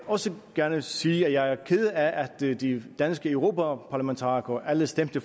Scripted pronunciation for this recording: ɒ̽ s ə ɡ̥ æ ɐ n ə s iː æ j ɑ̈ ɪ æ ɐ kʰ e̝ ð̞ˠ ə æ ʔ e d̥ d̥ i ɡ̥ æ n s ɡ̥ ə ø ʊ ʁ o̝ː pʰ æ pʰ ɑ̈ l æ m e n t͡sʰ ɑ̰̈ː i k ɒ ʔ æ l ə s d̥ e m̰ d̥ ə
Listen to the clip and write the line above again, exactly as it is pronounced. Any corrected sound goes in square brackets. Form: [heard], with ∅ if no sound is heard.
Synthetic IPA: ɒ̽ s ə ɡ̥ æ ɐ n ə s iː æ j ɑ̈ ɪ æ ɐ kʰ e̝ ð̞ˠ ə æ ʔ [æ] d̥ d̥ i [d̥] æ n s ɡ̥ ə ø ʊ ʁ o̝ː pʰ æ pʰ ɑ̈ l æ m e n t͡sʰ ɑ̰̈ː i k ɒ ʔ æ l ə s d̥ e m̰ d̥ ə